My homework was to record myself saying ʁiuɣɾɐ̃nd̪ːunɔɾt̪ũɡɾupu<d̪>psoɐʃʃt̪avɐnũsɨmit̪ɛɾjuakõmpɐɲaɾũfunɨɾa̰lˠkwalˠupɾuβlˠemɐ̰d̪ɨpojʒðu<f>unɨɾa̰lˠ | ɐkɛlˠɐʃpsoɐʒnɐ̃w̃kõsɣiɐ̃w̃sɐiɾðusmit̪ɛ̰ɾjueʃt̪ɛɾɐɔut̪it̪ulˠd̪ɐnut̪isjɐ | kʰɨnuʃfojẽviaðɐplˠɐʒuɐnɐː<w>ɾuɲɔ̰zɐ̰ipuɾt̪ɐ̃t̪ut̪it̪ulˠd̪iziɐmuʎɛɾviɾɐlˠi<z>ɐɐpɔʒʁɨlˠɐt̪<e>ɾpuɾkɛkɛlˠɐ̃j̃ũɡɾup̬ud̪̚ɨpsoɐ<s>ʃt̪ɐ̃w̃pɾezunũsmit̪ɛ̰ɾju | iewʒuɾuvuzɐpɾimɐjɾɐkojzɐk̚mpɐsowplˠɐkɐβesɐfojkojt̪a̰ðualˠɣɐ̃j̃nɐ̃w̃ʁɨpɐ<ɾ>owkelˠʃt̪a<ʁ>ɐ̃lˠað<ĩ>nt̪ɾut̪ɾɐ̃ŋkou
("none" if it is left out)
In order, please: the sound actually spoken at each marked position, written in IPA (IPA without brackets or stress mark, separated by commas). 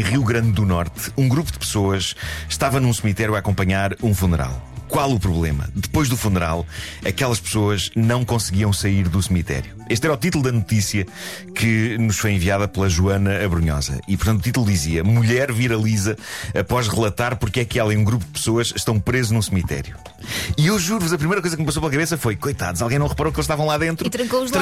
d̪, f, β, z, a, ʃ, ɾ, v, ẽ